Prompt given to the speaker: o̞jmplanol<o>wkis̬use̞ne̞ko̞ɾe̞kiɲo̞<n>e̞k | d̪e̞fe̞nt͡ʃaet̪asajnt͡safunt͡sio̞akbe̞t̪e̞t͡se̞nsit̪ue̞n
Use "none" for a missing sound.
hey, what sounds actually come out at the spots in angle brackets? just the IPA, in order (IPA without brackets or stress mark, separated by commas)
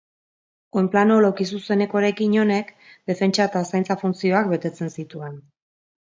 o, n